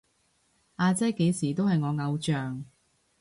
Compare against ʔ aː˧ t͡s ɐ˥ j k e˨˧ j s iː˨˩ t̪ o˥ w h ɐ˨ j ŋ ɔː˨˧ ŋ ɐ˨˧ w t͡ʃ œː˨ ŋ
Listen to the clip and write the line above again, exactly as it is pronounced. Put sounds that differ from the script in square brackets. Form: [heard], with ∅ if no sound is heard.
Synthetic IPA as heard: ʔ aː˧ t͡s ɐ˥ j k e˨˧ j s iː˨˩ t̪ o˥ w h ɐ˨ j ŋ ɔː˨˧ ŋ ɐ˨˧ w t͡ʃ œː˨ ŋ